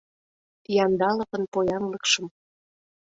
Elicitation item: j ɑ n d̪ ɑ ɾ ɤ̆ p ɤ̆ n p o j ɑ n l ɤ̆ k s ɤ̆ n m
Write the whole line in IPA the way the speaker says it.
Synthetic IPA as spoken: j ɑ n d̪ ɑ l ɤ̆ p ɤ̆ n p o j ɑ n l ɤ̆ k ʃ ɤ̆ m